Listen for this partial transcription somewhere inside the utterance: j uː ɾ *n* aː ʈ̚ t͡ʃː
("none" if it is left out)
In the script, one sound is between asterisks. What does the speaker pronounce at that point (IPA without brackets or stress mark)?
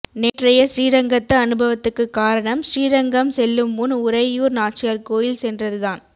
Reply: n